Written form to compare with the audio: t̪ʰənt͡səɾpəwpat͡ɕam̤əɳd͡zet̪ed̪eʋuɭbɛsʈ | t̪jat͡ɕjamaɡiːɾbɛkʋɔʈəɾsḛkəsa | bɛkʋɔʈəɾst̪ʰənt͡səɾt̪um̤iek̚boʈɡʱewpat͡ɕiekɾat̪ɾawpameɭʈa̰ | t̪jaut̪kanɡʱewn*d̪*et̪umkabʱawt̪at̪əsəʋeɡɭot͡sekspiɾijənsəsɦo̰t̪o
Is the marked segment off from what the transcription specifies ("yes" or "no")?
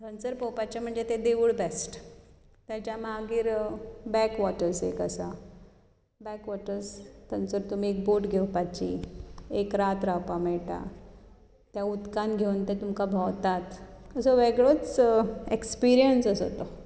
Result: yes